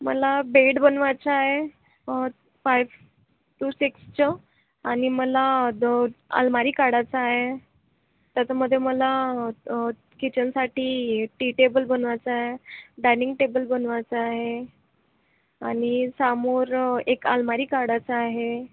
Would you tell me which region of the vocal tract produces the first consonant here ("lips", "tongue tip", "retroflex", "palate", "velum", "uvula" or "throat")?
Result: lips